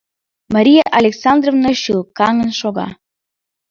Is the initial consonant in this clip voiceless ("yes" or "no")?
no